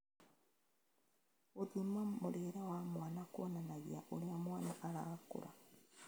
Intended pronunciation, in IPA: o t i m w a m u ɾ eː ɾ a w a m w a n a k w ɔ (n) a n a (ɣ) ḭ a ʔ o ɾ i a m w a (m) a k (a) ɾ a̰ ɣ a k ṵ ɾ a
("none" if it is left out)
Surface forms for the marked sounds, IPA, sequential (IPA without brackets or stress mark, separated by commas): n, ɣ, n, a